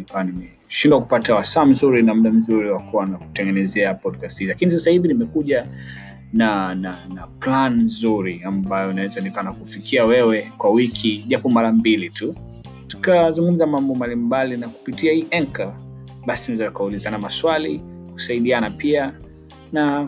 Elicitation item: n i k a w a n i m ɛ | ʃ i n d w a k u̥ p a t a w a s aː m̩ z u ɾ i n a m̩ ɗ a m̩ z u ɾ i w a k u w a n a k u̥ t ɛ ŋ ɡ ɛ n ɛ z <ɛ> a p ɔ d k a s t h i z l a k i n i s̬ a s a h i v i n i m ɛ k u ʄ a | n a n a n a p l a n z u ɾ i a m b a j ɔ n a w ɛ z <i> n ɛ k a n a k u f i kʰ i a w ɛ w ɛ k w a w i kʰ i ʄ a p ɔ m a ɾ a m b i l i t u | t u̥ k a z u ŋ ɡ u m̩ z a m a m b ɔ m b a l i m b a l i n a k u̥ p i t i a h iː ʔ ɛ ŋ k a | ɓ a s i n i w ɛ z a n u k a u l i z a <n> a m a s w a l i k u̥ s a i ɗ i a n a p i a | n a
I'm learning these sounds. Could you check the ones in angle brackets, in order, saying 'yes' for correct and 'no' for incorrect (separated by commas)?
yes, no, yes